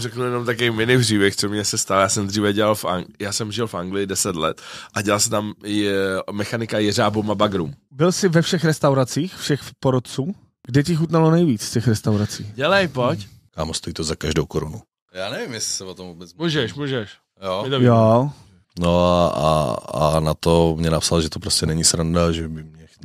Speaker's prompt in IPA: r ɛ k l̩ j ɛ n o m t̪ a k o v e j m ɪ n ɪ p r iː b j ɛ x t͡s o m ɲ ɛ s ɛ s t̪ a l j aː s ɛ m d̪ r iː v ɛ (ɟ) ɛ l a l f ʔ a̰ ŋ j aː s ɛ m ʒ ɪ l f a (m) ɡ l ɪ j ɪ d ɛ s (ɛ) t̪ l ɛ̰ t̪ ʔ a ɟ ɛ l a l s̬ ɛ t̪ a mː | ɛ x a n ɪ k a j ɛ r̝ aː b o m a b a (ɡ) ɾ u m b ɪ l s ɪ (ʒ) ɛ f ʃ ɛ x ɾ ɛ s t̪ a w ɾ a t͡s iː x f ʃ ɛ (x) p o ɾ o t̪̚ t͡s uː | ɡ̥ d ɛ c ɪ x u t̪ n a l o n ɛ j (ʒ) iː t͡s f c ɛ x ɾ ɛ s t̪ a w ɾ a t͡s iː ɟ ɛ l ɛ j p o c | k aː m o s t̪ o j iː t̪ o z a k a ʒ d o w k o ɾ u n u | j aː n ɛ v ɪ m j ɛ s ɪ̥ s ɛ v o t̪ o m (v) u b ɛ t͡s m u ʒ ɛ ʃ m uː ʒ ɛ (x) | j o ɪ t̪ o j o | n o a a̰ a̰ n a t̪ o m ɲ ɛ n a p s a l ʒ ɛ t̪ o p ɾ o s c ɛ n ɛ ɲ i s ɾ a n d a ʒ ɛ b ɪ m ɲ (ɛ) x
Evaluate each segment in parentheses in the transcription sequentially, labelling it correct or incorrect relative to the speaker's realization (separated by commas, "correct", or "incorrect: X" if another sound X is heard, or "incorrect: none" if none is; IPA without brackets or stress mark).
correct, incorrect: ŋ, correct, correct, incorrect: v, correct, incorrect: v, correct, incorrect: ʃ, correct